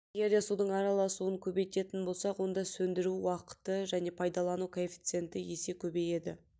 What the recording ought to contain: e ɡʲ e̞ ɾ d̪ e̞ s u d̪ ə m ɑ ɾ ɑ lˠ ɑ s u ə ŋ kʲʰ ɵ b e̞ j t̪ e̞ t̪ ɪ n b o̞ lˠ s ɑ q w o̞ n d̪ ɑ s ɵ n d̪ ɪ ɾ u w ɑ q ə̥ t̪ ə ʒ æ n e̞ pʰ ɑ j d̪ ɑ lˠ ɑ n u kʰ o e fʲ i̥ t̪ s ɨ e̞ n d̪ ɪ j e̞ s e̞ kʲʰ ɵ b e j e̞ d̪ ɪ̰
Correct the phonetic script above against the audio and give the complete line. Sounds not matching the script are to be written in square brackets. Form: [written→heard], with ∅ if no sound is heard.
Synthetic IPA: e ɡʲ e̞ ɾ d̪ e̞ s u d̪ ə [m→ɴ] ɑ ɾ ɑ lˠ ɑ s u ə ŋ kʲʰ ɵ b e̞ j t̪ e̞ t̪ ɪ n b o̞ lˠ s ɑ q w o̞ n d̪ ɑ s ɵ n d̪ ɪ ɾ u w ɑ q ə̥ t̪ ə ʒ æ n e̞ pʰ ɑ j d̪ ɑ lˠ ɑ n u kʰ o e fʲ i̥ t̪ s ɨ e̞ n [d̪→t̪] ɪ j e̞ s e̞ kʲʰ ɵ b e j e̞ d̪ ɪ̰